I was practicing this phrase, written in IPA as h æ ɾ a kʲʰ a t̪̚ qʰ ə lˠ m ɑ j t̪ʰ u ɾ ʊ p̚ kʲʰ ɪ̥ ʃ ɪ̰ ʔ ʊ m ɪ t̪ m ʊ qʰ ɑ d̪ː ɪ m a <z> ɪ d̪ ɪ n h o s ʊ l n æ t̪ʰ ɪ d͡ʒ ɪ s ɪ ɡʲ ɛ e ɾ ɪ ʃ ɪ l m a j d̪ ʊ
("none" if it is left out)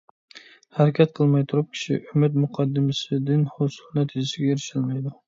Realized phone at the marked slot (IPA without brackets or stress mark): s